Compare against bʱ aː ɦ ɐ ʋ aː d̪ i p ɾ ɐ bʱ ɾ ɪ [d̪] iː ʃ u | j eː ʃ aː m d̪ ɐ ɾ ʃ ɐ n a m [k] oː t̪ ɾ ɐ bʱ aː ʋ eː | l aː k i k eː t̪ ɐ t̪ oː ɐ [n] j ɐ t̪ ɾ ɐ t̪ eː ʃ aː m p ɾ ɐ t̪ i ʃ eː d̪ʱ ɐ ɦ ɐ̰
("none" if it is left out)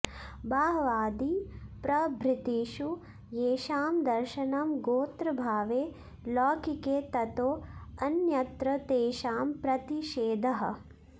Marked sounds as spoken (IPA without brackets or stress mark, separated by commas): t̪, ɡ, n